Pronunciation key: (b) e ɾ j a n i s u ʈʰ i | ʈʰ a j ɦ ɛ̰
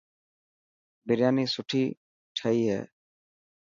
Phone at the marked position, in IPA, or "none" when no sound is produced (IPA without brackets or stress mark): b